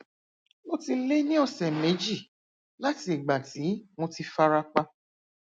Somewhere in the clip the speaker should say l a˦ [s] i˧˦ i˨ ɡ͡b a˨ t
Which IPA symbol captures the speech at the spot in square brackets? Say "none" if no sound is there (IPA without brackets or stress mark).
t